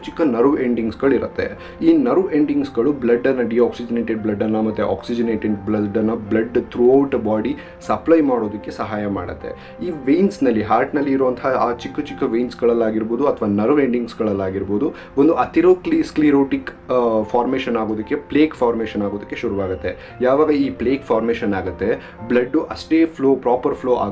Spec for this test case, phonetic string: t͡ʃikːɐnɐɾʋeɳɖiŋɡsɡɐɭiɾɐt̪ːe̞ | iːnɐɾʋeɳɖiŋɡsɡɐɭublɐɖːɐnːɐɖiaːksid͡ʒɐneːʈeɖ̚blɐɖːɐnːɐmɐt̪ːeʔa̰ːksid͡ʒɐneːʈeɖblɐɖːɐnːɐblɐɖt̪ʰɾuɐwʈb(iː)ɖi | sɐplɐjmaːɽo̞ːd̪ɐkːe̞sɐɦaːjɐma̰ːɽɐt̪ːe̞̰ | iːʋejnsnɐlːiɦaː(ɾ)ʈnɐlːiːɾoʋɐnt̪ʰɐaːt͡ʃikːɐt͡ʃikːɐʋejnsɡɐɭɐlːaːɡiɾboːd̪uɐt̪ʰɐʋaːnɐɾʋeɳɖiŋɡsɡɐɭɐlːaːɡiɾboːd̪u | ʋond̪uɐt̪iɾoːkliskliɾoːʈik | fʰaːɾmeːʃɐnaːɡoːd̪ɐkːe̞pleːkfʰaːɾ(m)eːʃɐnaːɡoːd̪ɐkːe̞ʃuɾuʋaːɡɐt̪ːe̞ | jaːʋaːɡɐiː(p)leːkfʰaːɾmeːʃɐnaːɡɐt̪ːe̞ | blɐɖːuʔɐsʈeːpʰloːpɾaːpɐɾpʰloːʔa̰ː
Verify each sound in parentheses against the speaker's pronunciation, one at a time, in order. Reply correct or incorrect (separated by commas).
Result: incorrect, correct, correct, correct